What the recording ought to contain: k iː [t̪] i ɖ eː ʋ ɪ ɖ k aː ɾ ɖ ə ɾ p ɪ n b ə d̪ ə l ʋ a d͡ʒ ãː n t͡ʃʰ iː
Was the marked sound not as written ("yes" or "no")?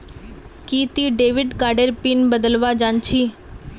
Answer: no